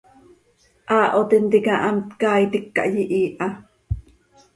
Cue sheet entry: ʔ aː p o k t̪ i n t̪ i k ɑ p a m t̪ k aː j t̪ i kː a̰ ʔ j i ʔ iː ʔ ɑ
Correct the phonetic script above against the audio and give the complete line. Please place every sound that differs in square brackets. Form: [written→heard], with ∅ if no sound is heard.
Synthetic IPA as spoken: ʔ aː [p→ʔ] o [k→∅] t̪ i n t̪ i k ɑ [p→ʔ] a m t̪ k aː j t̪ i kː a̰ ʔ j i ʔ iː ʔ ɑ